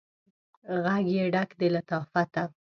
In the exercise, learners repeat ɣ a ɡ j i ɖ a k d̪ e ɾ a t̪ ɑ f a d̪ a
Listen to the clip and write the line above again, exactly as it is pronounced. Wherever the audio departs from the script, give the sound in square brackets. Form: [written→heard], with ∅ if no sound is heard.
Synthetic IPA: ɣ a ɡ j [i→e] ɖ a k d̪ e [ɾ→l] a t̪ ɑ f a [d̪→t̪] a